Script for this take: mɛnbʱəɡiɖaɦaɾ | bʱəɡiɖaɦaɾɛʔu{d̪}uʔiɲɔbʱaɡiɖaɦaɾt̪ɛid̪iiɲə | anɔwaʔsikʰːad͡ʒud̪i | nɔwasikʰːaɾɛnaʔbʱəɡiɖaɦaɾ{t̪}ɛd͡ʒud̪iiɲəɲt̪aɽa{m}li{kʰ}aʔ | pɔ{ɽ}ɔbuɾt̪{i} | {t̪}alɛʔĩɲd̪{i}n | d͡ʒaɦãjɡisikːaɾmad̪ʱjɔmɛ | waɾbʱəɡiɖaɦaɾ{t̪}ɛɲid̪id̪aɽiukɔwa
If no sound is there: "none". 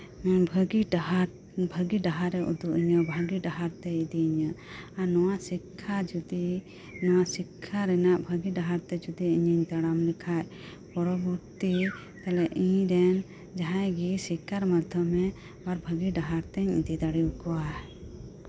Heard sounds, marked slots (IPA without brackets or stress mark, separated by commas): d̪, t̪, m, kʰ, ɾ, i, t̪, ɛ, t̪